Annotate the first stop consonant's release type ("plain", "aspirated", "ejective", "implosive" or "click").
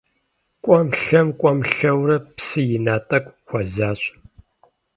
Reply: ejective